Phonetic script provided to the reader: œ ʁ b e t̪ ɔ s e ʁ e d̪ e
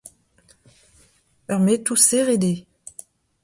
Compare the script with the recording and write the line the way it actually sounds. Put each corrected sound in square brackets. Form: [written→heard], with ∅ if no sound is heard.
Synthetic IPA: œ ʁ [b→m] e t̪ [ɔ→u] s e ʁ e d̪ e

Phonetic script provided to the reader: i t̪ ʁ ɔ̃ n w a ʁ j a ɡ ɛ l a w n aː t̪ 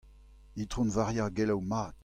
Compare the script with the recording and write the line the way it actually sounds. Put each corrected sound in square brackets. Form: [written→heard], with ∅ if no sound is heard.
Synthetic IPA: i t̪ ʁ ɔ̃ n [w→v] a ʁ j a ɡ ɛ l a w [n→m] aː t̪

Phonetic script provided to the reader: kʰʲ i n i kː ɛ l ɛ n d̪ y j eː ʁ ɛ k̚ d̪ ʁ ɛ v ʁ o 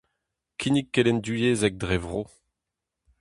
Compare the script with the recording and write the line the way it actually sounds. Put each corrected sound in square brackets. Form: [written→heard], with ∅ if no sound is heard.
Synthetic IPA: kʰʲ i n i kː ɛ l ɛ n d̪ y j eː [ʁ→z] ɛ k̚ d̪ ʁ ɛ v ʁ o

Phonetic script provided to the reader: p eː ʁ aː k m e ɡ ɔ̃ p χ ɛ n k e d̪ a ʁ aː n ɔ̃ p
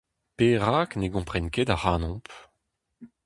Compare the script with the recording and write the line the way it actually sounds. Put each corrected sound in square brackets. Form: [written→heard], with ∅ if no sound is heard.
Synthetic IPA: p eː ʁ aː k [m→n] e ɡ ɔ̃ p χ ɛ n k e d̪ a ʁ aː n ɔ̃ p

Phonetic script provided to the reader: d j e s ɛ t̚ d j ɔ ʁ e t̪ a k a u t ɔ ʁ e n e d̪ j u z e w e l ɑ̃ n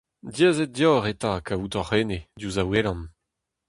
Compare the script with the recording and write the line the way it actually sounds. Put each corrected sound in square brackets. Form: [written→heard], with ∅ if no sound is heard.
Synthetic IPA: d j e [s→z] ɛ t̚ d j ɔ ʁ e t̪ a k a u t ɔ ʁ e n e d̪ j u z [e→a] w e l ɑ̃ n

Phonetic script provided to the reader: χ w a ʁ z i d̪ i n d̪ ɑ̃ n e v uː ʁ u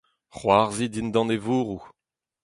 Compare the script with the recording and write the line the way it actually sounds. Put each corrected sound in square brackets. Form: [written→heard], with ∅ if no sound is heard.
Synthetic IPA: χ w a ʁ z i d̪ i n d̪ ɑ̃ n e v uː ʁ u

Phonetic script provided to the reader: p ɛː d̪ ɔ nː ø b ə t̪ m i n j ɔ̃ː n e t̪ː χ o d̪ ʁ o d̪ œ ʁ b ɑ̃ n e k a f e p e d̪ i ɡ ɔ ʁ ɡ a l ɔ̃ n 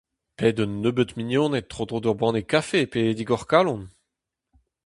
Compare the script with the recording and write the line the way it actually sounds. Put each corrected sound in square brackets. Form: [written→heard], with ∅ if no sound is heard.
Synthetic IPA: p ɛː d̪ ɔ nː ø b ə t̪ m i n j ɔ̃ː n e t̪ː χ o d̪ ʁ o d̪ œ ʁ b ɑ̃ n e k a f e p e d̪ i ɡ ɔ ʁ [ɡ→k] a l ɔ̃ n

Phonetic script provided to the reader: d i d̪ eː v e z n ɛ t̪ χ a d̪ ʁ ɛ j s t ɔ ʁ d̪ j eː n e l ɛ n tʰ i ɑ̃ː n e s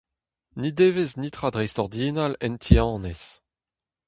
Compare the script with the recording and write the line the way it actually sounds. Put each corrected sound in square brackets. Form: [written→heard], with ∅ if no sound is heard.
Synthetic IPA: [d→n] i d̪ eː v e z n [ɛ→i] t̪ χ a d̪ ʁ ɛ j s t ɔ ʁ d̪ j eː n [e→a] l ɛ n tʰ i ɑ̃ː n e s

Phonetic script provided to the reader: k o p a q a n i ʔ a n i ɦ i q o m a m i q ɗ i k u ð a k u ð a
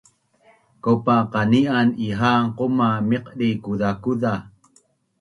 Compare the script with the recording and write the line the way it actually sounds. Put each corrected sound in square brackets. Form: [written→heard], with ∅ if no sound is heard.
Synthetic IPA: k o p a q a n i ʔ a n i ɦ [i→a] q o m a m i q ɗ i k u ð a k u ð a

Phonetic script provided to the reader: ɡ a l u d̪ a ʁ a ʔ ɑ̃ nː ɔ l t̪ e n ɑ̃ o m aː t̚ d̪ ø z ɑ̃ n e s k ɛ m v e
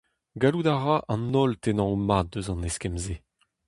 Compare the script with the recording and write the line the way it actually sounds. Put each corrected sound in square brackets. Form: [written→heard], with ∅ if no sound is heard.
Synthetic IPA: ɡ a l u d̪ a ʁ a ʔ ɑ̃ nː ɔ l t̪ e n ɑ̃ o m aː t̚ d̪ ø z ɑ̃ n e s k ɛ m [v→z] e

